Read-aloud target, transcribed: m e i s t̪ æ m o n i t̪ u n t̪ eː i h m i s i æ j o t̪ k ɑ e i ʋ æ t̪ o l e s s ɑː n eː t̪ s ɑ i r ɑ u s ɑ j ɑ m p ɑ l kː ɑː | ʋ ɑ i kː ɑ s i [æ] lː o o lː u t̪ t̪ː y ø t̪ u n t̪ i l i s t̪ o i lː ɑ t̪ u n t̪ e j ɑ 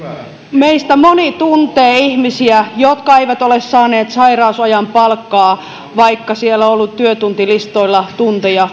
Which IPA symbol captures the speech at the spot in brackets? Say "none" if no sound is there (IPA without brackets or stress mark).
e